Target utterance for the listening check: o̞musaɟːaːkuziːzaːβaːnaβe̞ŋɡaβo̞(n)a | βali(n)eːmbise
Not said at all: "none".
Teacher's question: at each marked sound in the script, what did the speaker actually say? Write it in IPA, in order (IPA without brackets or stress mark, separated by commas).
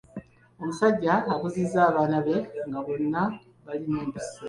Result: nː, n